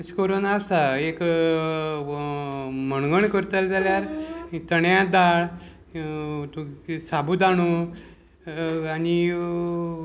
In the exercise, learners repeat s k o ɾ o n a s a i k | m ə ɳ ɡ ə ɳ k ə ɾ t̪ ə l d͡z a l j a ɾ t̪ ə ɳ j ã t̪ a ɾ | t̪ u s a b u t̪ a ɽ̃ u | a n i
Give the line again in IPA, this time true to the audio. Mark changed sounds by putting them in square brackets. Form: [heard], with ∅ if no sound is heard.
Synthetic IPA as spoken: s k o ɾ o n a s a [e] k | m ə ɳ ɡ ə ɳ k ə ɾ t̪ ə l d͡z a l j a ɾ t̪ ə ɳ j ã [d̪] a [ɭ] | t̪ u s a b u [d̪] a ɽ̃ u | a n i

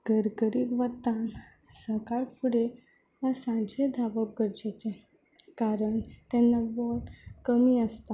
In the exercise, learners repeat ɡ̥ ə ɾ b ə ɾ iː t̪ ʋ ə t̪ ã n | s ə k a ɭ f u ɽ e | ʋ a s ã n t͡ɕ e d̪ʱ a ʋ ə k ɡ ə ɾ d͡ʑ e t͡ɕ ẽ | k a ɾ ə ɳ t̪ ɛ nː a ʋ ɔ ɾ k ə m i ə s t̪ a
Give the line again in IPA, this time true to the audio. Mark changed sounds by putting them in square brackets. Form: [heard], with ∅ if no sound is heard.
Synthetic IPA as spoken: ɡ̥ ə ɾ [ɡ] ə ɾ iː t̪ ʋ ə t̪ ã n | s ə k a ɭ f u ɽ e | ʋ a s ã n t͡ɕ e d̪ʱ a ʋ ə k ɡ ə ɾ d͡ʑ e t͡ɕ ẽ | k a ɾ ə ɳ t̪ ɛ nː a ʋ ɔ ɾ k ə m i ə s t̪ a

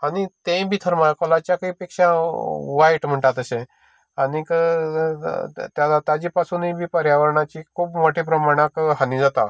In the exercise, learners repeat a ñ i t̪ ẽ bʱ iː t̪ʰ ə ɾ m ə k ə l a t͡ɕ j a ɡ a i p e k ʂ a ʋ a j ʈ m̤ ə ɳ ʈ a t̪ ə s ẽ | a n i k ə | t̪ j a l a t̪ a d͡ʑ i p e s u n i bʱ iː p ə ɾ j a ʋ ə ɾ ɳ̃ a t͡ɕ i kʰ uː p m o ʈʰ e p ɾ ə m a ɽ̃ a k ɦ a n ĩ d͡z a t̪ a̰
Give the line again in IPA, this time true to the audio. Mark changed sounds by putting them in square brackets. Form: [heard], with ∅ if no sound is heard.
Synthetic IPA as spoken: a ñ i t̪ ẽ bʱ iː t̪ʰ ə ɾ m [a] k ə l a t͡ɕ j a [k] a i p e k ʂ a ʋ a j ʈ m̤ ə ɳ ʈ a t̪ ə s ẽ | a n i k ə | t̪ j a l a t̪ a d͡ʑ i p [a] s u n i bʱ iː p ə ɾ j a ʋ ə ɾ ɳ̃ a t͡ɕ i kʰ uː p m o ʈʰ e p ɾ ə m a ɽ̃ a k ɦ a n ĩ d͡z a t̪ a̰

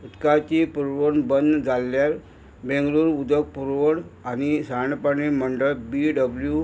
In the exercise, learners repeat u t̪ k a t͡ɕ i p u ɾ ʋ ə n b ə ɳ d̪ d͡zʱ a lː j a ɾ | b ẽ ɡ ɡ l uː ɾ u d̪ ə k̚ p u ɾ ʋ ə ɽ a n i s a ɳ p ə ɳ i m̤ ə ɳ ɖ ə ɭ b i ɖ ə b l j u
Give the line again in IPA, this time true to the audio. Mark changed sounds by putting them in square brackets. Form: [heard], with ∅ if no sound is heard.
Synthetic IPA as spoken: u t̪ k a t͡ɕ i p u ɾ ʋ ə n b ə [n] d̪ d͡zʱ a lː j a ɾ | b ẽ [ŋ] ɡ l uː ɾ u d̪ ə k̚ p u ɾ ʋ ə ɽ a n i s a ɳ p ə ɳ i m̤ ə ɳ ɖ ə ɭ b i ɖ ə b l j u

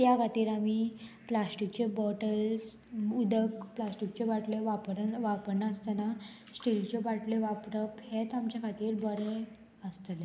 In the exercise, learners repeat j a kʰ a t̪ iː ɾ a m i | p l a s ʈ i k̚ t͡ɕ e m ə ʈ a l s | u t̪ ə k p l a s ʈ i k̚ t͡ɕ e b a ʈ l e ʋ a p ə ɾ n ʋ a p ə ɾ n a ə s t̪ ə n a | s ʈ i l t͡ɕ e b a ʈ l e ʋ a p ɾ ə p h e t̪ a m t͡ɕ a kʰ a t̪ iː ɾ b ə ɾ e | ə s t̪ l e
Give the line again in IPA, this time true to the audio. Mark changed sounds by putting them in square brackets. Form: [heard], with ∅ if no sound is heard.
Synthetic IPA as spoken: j a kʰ a t̪ iː ɾ a m i | p l a s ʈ i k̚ t͡ɕ e [b] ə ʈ [ə] l s | u [d̪] ə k p l a s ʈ i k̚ t͡ɕ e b a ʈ l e ʋ a p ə ɾ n ʋ a p ə ɾ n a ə s t̪ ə n a | s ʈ i l t͡ɕ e b a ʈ l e ʋ a p ɾ ə p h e t̪ a m t͡ɕ a kʰ a t̪ iː ɾ b ə ɾ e | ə s t̪ l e

